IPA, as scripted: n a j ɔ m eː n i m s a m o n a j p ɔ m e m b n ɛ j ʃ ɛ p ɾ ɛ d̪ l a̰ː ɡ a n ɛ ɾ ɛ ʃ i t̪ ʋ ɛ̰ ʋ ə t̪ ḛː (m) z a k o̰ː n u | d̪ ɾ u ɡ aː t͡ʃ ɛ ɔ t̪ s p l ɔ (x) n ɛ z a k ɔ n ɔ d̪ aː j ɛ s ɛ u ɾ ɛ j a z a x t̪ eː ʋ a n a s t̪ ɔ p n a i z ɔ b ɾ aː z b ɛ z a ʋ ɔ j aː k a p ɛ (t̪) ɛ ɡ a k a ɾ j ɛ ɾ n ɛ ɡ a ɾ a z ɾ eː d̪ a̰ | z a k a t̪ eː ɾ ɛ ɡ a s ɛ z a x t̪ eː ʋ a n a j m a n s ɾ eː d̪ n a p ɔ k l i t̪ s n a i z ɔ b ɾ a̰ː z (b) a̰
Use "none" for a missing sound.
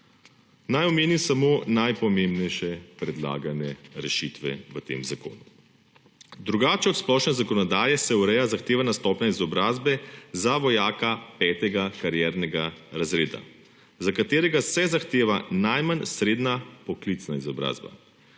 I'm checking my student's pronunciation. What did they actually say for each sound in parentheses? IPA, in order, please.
m, ʃ, t̪, b

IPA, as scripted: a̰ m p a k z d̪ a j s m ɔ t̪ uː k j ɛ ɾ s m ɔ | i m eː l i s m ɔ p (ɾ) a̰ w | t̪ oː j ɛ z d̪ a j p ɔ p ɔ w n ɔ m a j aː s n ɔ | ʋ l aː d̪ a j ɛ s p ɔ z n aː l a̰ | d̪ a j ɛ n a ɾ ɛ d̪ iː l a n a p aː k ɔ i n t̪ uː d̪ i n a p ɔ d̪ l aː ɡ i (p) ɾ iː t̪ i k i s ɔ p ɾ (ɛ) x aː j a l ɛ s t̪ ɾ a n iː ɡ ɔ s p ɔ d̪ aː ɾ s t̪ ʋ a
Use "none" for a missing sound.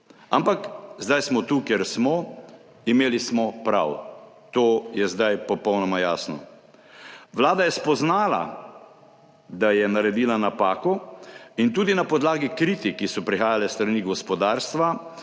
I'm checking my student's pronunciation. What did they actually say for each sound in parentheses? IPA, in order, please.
ɾ, k, i

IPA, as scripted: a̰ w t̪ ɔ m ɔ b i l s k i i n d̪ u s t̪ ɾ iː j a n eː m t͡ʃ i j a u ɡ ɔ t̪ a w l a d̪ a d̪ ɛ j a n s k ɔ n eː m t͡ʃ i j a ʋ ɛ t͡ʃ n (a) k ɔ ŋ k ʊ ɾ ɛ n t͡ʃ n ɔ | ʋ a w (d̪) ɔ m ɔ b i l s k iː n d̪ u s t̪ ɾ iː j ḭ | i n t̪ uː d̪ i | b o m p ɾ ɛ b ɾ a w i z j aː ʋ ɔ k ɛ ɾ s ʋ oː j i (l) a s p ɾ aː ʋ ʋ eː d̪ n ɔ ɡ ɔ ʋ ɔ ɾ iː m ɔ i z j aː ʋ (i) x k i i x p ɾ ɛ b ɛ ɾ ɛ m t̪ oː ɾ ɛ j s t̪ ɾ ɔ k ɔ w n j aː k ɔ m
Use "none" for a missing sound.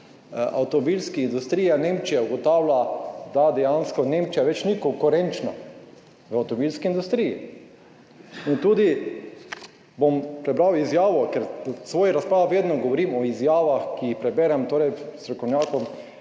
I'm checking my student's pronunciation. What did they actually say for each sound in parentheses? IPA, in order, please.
i, t̪, ɾ, a

